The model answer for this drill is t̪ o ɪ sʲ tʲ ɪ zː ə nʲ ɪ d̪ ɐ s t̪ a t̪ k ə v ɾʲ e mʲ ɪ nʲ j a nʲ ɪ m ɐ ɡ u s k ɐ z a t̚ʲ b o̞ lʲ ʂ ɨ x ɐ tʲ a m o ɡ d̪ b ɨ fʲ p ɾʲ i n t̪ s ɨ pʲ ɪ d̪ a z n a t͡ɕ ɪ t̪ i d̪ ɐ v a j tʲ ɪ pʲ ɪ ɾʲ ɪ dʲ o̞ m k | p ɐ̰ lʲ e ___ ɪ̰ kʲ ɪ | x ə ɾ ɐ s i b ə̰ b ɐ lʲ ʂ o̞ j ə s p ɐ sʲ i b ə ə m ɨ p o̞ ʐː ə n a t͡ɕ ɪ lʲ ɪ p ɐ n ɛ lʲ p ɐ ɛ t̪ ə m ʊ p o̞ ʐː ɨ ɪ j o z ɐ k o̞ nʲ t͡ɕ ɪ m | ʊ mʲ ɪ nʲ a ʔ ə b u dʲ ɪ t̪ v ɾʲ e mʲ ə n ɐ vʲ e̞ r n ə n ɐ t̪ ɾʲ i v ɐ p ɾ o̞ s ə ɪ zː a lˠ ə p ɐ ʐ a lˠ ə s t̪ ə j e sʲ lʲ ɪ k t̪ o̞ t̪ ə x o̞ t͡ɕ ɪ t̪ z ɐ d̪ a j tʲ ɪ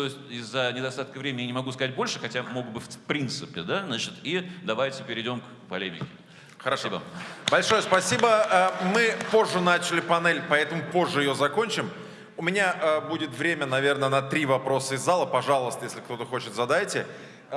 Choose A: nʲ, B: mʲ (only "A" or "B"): B